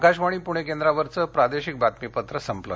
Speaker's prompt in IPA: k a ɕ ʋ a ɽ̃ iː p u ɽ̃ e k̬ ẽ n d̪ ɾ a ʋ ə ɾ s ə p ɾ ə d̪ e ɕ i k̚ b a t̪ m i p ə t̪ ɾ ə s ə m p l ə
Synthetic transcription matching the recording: k a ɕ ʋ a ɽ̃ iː p u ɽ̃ e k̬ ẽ n d̪ ɾ a ʋ ə ɾ t͡s ə p ɾ a d̪ e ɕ i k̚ b a t̪ m i p ə t̪ ɾ ə s ə m p l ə